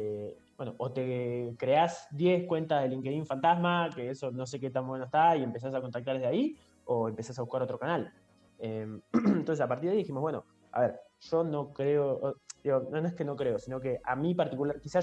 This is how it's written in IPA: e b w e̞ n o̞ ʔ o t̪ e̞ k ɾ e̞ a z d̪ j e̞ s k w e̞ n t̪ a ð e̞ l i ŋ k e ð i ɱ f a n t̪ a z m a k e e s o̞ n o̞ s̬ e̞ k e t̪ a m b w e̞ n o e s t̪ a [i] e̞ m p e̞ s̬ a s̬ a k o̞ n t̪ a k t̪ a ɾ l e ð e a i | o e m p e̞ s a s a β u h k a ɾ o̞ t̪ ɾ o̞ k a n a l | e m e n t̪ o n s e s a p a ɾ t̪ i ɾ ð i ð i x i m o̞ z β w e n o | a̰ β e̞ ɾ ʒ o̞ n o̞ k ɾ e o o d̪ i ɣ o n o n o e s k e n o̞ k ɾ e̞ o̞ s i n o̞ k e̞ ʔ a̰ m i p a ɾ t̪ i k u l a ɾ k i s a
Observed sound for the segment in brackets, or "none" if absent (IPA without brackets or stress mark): i